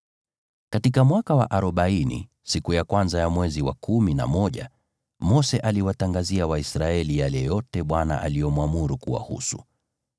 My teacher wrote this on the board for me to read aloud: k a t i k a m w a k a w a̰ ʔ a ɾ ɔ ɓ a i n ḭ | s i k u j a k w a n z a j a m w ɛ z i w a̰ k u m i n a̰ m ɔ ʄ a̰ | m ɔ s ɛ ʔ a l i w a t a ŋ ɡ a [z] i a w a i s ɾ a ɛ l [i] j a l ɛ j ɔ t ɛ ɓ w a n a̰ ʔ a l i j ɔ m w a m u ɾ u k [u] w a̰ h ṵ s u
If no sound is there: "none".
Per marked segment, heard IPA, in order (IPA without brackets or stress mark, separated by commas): z, i, u